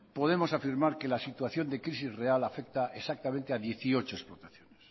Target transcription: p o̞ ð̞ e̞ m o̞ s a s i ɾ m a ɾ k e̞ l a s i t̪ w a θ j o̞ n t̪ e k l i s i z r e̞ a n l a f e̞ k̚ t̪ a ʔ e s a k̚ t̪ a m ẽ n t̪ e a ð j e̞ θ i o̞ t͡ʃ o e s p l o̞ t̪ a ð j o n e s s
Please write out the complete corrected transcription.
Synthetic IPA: p o̞ ð̞ e̞ m o̞ s a f i ɾ m a ɾ k e̞ l a s i t̪ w a θ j o̞ n d̪ e k ɾ i s i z r e̞ a l a f e̞ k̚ t̪ a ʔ e s a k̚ t̪ a m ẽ n t̪ e a ð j e̞ θ i o̞ t͡ʃ o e s p l o̞ t̪ a θ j o n e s s